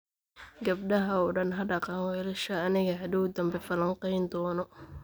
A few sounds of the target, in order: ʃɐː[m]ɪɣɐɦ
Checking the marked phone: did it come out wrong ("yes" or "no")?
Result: yes